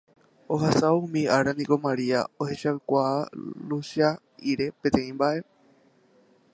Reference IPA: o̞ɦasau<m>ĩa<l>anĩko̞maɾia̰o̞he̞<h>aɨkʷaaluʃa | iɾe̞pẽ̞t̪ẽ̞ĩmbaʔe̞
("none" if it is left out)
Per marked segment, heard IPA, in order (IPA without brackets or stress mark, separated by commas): m, ɾ, ʃ